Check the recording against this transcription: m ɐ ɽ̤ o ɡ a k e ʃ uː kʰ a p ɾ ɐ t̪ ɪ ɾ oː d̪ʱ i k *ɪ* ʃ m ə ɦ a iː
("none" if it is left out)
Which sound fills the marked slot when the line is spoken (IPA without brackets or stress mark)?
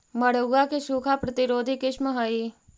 ɪ